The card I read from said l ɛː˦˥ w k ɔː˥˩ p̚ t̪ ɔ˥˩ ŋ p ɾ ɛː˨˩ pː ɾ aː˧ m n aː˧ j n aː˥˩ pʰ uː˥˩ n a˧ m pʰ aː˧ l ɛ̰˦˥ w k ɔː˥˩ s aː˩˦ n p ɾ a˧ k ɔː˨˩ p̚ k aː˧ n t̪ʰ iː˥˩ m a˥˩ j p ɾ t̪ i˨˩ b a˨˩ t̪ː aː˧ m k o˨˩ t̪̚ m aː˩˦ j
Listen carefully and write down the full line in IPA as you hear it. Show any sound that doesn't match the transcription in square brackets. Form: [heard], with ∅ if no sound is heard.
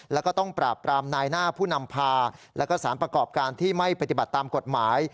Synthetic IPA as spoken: l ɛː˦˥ w k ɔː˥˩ [∅] t̪ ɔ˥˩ ŋ p ɾ [aː˨˩] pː ɾ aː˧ m n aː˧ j n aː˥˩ pʰ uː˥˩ n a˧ m pʰ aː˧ l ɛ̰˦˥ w k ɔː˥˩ s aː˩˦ n p ɾ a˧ k ɔː˨˩ p̚ k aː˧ n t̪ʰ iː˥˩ m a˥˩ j p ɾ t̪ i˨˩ b a˨˩ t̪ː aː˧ m k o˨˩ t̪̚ m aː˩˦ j